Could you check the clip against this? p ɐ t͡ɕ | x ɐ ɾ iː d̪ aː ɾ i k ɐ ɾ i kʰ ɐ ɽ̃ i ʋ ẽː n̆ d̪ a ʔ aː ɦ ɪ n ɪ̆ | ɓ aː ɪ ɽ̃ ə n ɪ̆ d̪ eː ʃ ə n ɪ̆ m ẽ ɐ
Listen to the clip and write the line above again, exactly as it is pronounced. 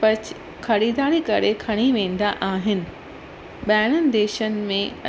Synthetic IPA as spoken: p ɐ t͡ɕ | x ɐ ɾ iː d̪ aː ɾ i k ɐ ɾ e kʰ ɐ ɽ̃ i ʋ ẽː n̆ d̪ a ʔ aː ɦ ɪ n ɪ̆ | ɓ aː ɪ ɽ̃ ə n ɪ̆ d̪ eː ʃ ə n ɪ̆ m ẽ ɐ

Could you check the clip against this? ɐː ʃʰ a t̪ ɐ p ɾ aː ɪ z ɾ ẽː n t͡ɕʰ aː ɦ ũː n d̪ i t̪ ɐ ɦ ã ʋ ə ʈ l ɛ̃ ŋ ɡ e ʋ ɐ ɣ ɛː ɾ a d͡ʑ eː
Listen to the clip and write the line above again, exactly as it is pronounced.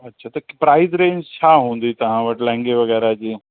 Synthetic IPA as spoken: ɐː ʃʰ a t̪ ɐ p ɾ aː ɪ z ɾ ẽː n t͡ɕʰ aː ɦ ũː n d̪ i t̪ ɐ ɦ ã ʋ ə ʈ l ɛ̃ ŋ ɡ e ʋ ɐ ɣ ɛː ɾ a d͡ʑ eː

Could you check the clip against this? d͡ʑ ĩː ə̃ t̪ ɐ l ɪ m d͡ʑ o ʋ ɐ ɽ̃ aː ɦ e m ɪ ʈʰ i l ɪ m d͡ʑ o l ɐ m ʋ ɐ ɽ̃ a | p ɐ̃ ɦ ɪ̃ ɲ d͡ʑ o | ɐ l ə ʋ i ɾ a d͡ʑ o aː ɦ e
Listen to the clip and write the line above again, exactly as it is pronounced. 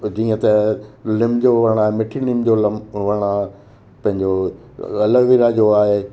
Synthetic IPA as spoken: d͡ʑ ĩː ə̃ t̪ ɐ l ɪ m d͡ʑ o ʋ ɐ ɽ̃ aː ɦ e m ɪ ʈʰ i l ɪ m d͡ʑ o l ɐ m ʋ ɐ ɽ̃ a | p ɐ̃ ɦ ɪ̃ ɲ d͡ʑ o | ɐ l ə ʋ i ɾ a d͡ʑ o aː ɦ e

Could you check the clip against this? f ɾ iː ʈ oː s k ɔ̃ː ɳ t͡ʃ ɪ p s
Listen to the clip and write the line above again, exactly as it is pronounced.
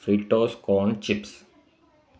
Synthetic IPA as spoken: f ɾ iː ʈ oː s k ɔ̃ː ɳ t͡ʃ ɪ p s

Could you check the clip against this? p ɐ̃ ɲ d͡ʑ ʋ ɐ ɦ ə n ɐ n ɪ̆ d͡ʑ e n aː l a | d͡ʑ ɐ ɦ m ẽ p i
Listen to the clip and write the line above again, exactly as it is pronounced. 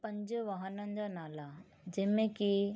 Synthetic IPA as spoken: p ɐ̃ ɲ d͡ʑ ʋ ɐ ɦ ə n ə n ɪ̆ d͡ʑ a n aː l a | d͡ʑ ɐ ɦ m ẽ k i

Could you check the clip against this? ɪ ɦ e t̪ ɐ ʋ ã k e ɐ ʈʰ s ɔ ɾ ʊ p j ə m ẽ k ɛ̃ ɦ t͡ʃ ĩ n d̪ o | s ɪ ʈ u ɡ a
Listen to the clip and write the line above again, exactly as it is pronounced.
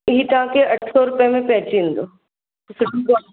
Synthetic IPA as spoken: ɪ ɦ i t̪ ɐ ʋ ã k e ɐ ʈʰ s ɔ ɾ ʊ p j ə m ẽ p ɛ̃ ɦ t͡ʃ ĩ n d̪ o | s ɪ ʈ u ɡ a

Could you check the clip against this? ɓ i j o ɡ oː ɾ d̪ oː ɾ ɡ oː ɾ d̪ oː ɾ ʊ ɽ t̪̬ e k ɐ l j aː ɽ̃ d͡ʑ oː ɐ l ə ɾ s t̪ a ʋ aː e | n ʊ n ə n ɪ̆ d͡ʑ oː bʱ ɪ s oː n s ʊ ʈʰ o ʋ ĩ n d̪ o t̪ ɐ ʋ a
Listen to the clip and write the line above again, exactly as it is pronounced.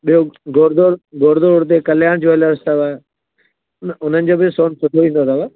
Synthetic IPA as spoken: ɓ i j o ɡ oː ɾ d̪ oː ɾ ɡ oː ɾ d̪ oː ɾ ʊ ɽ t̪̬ e k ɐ l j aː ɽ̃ d͡ʑ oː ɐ l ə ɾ s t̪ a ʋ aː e | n ʊ n ə n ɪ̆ d͡ʑ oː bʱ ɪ s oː n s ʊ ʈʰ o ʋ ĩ n d̪ o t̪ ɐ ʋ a

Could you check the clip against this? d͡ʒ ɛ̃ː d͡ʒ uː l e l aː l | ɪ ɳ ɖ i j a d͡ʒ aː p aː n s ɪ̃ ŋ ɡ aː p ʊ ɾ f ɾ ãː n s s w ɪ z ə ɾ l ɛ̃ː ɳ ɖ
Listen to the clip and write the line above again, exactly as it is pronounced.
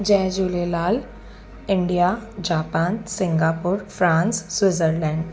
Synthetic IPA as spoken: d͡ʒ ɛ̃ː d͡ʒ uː l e l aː l | ɪ ɳ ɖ i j a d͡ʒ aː p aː n s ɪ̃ ŋ ɡ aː p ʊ ɾ f ɾ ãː n s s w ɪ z ə ɾ l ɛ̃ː ɳ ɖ

